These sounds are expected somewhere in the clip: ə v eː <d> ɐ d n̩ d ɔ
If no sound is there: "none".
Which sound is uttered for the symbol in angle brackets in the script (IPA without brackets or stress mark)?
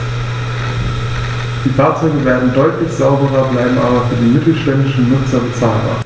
none